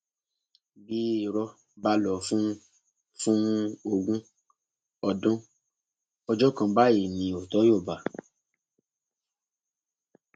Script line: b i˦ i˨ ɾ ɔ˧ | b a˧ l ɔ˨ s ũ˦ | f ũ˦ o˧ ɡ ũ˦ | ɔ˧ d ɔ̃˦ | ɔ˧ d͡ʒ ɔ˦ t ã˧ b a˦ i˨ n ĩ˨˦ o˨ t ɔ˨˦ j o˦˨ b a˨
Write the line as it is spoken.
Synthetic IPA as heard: b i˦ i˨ ɾ ɔ˧ | b a˧ l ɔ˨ f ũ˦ | f ũ˦ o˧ ɡ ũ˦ | ɔ˧ d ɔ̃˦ | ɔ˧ d͡ʒ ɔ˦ k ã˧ b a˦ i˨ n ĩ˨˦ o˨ t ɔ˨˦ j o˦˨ b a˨